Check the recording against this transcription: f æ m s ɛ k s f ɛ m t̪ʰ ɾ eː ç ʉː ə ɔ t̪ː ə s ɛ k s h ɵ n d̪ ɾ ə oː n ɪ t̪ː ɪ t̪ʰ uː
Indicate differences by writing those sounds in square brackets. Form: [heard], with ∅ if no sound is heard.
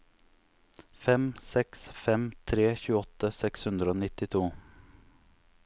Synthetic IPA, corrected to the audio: f [ɛ] m s ɛ k s f ɛ m t̪ʰ ɾ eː ç ʉː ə ɔ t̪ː ə s ɛ k s h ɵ n d̪ ɾ ə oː n ɪ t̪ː ɪ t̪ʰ uː